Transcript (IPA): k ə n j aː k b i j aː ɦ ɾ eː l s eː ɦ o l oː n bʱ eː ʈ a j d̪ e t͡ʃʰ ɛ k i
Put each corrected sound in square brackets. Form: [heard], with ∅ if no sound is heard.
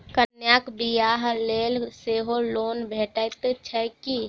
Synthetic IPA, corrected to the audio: k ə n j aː k b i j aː ɦ [l] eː l s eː ɦ o l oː n bʱ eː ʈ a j [t̪] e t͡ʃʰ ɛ k i